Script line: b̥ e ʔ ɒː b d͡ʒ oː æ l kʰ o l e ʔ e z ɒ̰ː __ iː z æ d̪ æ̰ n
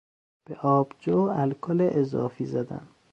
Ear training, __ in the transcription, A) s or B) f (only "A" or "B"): B